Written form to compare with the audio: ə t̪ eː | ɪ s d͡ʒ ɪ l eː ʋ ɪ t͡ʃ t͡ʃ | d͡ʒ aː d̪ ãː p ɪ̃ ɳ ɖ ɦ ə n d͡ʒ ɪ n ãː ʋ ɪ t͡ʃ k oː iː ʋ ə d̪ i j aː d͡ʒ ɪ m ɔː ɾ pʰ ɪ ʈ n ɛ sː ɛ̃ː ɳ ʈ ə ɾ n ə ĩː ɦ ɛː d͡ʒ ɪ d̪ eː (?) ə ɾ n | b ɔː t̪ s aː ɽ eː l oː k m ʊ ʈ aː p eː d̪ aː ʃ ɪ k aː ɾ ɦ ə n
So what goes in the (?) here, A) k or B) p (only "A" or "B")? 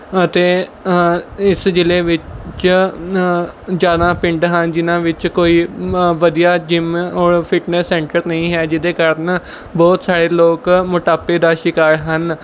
A